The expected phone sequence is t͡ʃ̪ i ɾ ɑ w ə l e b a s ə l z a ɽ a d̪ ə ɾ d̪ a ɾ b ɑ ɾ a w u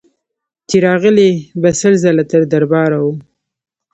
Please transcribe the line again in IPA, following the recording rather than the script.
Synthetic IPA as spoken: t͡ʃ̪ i ɾ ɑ ɣ ə l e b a s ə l z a l a t̪ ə ɾ d̪ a ɾ b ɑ ɾ a w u